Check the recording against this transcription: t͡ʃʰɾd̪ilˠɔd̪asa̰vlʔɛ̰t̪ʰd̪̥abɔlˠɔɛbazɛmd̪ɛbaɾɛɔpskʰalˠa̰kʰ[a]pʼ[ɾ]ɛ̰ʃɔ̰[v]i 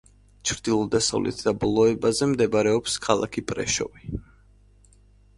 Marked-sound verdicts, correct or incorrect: incorrect, correct, correct

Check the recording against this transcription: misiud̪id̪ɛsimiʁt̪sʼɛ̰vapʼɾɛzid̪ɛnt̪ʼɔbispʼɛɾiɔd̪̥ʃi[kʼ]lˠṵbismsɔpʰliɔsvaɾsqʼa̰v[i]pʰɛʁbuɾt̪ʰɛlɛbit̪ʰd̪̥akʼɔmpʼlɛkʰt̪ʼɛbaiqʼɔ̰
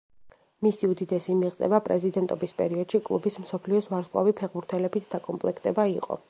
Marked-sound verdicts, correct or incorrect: correct, correct

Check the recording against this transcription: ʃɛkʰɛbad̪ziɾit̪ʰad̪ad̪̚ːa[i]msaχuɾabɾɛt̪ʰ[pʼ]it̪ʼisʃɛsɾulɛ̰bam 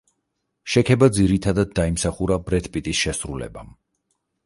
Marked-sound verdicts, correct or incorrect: correct, correct

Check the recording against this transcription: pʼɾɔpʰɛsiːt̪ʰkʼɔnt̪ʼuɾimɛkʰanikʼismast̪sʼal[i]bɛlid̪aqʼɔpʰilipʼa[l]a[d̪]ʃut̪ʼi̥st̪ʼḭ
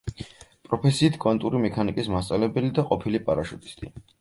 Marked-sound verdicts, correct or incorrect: incorrect, incorrect, incorrect

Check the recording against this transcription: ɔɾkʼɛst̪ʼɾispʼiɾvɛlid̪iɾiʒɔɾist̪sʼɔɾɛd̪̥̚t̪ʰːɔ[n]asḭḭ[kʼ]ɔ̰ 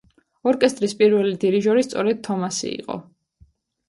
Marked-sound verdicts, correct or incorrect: incorrect, incorrect

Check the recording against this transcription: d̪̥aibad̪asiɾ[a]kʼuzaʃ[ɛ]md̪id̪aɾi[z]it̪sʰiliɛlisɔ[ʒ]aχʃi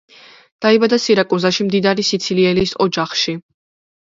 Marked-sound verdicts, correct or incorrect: correct, incorrect, incorrect, incorrect

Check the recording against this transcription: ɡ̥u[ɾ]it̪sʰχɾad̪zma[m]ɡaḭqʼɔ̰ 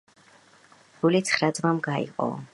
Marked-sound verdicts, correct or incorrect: incorrect, correct

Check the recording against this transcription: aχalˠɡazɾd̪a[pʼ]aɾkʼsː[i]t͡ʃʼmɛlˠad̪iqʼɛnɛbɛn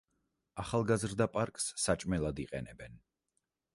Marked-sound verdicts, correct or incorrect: correct, incorrect

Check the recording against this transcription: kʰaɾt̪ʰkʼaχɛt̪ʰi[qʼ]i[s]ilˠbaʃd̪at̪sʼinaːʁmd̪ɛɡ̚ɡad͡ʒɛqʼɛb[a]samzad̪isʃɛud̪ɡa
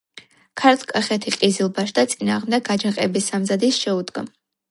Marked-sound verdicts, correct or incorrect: correct, incorrect, incorrect

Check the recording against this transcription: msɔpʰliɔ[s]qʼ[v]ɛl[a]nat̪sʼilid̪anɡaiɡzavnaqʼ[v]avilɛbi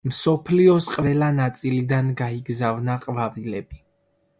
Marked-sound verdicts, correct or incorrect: correct, correct, correct, correct

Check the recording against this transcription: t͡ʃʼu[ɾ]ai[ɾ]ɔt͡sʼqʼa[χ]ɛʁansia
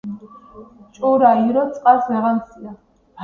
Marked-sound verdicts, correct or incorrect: correct, correct, incorrect

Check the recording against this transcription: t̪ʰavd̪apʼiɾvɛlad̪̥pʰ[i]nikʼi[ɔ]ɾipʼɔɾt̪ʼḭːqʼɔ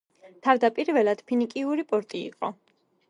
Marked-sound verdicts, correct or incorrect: correct, incorrect

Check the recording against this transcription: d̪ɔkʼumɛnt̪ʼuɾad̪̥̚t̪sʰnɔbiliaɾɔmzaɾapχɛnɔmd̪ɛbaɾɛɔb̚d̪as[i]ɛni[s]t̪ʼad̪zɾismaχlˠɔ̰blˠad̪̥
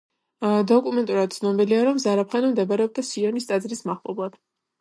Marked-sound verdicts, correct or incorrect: correct, correct

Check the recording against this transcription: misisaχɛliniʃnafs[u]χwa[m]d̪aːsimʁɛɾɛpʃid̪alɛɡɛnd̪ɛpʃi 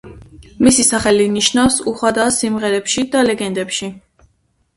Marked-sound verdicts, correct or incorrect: correct, incorrect

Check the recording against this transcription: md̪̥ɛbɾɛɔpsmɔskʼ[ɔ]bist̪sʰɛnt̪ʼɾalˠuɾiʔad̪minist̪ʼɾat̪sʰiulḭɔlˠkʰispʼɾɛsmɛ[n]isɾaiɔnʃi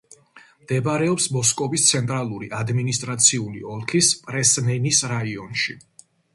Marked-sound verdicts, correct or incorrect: correct, correct

